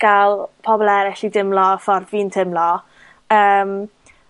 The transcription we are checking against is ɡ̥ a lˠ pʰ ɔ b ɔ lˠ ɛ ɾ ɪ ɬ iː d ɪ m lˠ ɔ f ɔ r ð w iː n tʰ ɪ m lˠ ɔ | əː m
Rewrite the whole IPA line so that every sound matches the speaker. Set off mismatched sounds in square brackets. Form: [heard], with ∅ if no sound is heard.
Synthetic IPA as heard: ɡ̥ a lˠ pʰ ɔ b ɔ lˠ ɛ ɾ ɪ ɬ [i] d ɪ m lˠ ɔ f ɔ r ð [v] iː n tʰ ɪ m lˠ ɔ | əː m